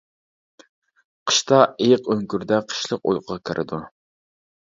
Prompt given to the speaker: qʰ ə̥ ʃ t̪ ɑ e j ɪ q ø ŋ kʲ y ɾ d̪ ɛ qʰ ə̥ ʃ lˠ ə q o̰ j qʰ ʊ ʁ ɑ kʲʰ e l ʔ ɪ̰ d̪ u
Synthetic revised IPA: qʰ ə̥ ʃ t̪ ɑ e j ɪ q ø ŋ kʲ y ɾ d̪ ɛ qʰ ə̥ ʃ lˠ ə q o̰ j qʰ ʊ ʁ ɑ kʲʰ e ɾ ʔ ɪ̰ d̪ u

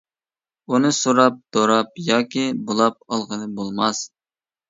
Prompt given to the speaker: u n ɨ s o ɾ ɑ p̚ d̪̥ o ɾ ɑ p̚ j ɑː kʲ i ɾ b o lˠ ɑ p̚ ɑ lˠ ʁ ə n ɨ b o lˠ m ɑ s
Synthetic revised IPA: u n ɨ s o ɾ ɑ p̚ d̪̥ o ɾ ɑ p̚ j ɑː kʲ i b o lˠ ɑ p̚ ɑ lˠ ʁ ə n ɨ b o lˠ m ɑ s

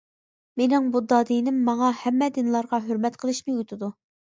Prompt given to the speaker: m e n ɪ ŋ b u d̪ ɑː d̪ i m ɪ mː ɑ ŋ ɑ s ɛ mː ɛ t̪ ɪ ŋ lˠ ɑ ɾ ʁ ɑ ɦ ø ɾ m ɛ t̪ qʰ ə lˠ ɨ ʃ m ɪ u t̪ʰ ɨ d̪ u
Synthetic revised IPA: m e n ɪ ŋ b u d̪ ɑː d̪ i n ɪ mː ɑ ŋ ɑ h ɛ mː ɛ d̪ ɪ n lˠ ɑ ɾ ʁ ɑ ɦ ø ɾ m ɛ t̪ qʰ ə lˠ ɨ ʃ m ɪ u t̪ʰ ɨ d̪ u

